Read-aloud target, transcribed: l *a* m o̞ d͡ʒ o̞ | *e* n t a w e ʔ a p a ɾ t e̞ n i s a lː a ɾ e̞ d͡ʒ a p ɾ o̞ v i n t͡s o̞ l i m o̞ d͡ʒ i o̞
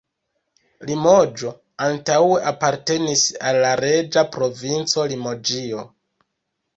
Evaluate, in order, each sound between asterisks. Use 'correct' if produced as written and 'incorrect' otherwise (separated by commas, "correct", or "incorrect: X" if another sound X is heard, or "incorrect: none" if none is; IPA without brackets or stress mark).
incorrect: i, incorrect: a